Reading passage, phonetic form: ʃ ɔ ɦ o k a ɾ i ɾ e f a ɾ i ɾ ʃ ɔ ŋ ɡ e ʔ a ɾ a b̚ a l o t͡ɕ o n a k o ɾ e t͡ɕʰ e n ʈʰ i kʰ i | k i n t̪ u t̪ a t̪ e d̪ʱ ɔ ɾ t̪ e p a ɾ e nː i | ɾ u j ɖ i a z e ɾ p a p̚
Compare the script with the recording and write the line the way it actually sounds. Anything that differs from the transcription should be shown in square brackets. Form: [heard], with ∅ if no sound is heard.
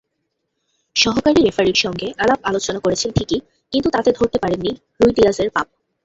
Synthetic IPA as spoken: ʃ ɔ ɦ o k a ɾ i ɾ e f a ɾ i ɾ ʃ ɔ ŋ ɡ e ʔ a [l] a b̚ a l o t͡ɕ o n a k o ɾ e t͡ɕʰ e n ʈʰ i [k] i | k i n t̪ u t̪ a t̪ e d̪ʱ [o] ɾ t̪ e p a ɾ e nː i | ɾ u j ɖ i a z e ɾ p a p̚